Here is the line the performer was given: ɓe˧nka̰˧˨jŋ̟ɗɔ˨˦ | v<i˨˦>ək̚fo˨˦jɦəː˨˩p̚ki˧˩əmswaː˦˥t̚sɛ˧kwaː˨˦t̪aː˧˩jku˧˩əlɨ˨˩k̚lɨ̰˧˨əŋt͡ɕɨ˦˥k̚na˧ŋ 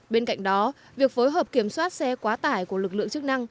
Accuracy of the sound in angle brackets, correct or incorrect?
incorrect